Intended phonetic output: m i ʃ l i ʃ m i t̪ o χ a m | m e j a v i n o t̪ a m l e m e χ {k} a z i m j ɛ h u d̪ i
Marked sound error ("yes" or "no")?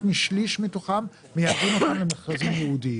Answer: no